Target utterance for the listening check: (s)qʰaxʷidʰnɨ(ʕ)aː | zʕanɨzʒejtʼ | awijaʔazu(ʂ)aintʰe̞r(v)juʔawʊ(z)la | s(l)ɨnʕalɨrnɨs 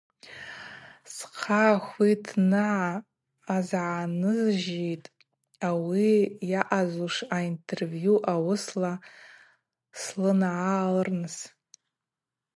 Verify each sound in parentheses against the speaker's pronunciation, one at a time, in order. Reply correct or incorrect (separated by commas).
correct, correct, correct, correct, incorrect, correct